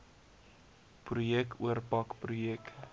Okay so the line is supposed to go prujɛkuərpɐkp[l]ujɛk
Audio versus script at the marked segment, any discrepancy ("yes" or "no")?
yes